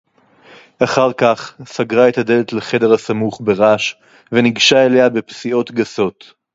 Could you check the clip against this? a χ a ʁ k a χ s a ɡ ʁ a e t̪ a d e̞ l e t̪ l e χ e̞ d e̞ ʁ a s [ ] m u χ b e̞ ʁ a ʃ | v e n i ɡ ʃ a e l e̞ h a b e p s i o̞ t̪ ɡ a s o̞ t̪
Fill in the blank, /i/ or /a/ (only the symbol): a